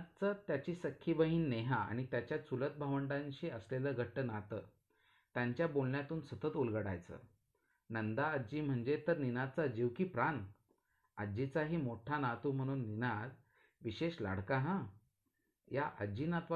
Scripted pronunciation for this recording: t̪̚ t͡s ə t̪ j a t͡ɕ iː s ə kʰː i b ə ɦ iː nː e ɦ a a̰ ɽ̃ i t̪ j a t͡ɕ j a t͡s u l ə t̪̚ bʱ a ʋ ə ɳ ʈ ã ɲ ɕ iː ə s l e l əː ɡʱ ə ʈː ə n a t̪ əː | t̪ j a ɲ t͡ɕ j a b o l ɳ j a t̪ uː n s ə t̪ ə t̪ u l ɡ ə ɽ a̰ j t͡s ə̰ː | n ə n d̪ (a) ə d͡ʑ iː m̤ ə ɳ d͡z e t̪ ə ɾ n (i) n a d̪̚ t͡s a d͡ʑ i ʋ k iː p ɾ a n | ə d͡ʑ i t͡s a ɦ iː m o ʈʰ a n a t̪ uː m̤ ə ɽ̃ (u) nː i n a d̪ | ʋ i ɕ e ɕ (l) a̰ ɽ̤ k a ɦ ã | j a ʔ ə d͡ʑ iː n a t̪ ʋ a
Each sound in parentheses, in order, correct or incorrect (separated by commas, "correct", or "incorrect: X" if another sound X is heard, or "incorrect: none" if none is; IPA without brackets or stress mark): correct, correct, incorrect: uː, correct